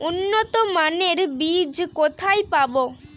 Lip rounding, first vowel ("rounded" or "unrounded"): rounded